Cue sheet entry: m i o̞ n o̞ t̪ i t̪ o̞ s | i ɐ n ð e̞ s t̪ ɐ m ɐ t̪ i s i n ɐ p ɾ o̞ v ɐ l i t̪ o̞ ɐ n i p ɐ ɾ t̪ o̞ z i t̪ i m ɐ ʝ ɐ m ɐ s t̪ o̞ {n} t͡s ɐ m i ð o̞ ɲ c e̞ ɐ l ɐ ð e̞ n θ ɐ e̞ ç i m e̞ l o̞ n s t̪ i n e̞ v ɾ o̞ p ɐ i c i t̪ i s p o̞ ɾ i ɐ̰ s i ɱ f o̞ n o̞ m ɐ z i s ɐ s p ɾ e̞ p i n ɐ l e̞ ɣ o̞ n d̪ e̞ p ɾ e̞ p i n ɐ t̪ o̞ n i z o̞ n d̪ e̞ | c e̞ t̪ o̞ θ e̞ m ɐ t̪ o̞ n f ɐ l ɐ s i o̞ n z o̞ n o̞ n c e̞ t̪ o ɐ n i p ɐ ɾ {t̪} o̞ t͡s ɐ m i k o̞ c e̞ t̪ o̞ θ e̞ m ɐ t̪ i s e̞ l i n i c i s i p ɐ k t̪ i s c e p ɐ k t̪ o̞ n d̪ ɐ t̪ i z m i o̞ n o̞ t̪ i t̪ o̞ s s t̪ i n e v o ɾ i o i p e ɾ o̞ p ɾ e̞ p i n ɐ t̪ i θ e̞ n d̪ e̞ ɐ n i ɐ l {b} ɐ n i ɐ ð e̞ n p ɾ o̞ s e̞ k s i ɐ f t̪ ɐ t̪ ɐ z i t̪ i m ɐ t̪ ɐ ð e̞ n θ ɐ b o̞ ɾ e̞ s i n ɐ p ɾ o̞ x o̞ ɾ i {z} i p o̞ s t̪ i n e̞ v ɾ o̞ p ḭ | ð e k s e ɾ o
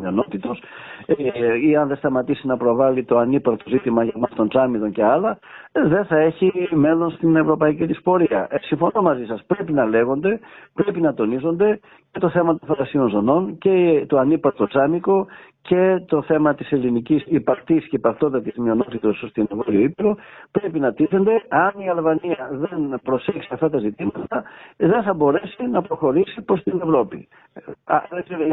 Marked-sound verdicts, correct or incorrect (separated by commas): correct, correct, incorrect, incorrect